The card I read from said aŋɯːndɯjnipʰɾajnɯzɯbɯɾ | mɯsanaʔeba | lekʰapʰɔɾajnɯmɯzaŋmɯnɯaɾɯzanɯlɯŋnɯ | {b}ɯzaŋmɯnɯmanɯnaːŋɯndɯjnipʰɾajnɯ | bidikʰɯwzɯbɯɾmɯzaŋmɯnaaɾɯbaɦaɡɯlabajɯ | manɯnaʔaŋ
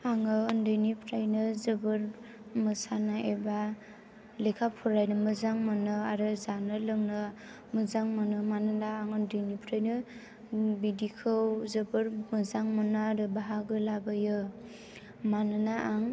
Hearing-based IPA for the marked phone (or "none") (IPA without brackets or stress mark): m